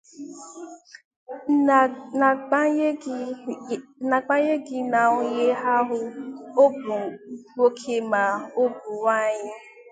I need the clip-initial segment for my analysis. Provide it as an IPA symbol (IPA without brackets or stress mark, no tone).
n